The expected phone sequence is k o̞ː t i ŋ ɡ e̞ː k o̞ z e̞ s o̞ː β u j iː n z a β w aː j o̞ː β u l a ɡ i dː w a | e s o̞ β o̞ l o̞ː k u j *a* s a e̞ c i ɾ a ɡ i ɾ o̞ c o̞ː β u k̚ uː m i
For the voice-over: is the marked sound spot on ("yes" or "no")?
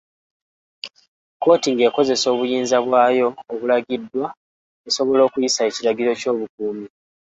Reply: no